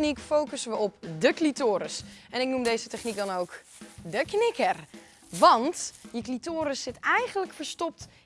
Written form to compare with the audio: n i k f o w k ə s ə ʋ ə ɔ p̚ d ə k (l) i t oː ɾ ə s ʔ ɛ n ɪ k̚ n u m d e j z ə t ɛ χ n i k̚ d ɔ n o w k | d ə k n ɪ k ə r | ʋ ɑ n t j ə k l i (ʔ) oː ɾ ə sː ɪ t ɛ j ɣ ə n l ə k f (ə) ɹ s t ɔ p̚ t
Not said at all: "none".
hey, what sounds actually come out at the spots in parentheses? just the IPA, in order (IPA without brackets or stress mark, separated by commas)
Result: l, t, ə